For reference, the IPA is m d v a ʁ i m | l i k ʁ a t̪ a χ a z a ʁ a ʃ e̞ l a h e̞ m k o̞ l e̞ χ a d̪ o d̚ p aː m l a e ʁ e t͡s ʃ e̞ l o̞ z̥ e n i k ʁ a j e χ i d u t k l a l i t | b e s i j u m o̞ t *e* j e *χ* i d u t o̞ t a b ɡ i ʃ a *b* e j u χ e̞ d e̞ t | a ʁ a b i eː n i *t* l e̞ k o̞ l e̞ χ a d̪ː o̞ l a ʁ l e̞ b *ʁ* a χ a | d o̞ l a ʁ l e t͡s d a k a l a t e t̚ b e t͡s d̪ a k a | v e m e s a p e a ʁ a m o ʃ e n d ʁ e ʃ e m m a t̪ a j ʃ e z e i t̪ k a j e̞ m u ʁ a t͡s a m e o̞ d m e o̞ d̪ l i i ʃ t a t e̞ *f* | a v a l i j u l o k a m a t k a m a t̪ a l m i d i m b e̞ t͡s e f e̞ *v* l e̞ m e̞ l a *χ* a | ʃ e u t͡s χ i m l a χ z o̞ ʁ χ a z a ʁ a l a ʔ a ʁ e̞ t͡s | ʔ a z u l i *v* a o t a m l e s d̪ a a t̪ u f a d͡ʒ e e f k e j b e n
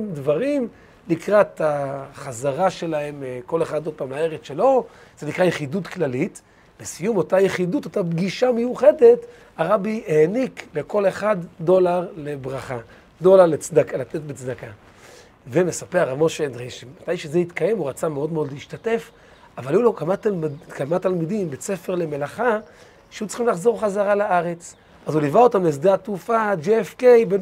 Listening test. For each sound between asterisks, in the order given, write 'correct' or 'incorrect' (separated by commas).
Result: incorrect, correct, incorrect, incorrect, correct, correct, incorrect, correct, correct